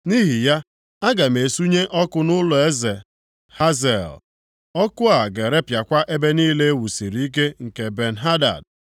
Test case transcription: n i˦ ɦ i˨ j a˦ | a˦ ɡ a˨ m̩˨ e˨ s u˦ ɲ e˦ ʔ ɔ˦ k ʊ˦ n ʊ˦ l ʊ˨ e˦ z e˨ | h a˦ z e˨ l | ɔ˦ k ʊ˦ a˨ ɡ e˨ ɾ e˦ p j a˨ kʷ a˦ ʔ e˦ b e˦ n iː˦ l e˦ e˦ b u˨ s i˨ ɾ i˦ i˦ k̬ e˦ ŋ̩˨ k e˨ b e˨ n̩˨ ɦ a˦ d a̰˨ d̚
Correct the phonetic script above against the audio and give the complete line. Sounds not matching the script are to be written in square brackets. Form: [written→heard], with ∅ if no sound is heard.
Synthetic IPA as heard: n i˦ ɦ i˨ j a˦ | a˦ ɡ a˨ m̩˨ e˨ s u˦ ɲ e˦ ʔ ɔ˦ k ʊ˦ n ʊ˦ l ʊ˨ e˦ z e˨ | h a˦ z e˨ l | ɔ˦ k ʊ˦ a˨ ɡ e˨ ɾ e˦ p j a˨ kʷ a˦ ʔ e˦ b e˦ n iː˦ l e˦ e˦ [b→w] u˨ s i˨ ɾ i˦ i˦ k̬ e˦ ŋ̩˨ k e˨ b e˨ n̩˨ ɦ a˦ d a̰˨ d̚